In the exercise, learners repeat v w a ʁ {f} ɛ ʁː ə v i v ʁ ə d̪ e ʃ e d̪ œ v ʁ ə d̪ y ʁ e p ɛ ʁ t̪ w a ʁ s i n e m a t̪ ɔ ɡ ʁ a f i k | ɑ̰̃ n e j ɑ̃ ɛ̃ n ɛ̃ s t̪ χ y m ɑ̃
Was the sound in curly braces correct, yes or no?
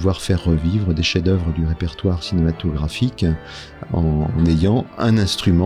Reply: yes